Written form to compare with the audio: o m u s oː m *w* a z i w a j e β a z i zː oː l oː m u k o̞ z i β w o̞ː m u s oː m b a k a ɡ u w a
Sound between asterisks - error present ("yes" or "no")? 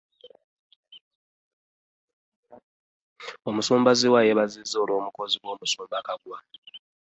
yes